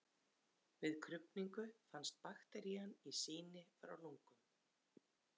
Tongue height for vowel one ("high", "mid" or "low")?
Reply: high